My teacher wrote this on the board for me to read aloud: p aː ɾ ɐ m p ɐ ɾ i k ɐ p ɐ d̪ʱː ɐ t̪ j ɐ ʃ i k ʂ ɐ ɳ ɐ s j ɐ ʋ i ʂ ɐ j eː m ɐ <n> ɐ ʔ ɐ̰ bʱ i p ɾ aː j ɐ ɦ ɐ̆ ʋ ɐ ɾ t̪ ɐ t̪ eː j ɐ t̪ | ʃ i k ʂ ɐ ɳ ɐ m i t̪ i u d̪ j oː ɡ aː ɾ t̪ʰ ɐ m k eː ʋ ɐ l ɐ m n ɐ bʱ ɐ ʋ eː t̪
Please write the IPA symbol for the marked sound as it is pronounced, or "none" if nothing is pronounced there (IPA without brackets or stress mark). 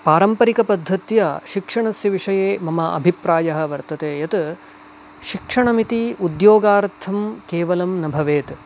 m